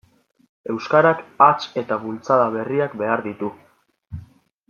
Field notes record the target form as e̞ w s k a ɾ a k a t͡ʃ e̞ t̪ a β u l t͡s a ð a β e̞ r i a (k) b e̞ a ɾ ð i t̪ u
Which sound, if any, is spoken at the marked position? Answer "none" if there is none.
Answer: k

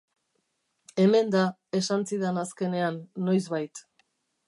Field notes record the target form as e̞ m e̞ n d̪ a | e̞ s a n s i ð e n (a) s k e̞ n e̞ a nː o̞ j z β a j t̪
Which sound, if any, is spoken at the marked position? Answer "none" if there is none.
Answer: a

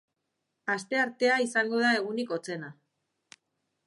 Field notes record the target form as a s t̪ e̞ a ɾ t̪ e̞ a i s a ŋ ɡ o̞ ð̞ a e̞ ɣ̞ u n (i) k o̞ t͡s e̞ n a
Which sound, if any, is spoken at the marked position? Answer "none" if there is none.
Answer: i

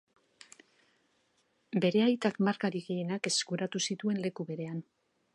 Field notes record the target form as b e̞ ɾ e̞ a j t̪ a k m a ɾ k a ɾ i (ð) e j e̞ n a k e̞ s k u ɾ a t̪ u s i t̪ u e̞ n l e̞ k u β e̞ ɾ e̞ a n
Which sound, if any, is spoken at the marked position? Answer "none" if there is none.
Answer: ɣ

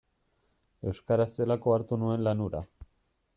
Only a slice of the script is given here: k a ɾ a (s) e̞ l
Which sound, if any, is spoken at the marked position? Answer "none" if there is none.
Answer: s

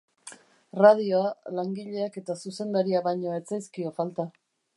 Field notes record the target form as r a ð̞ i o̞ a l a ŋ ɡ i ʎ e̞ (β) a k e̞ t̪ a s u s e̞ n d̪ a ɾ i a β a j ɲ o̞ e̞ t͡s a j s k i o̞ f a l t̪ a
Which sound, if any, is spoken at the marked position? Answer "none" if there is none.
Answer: none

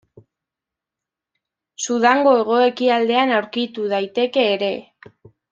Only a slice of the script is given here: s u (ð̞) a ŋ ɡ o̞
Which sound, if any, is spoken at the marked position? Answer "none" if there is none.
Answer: ð̞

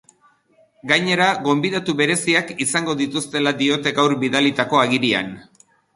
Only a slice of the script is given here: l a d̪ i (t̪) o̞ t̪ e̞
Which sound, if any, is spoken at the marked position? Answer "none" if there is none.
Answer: none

